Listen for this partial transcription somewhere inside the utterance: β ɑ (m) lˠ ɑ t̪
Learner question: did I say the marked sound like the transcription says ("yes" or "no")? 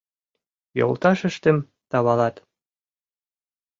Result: no